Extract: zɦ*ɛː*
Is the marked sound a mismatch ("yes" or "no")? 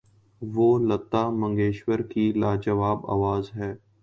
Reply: no